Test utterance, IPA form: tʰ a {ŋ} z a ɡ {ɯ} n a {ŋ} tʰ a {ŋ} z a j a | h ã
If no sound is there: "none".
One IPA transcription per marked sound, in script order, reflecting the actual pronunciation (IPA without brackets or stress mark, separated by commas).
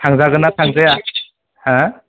ŋ, ɯ, none, ŋ